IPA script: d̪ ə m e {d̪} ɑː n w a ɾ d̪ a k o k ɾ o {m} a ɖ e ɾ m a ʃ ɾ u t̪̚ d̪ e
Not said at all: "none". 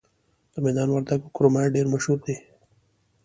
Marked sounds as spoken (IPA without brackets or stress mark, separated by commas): d̪, m